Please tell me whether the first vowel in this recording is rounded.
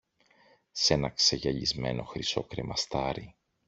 no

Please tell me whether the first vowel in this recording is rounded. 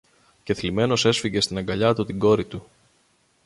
no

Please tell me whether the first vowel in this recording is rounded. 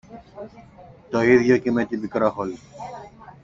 yes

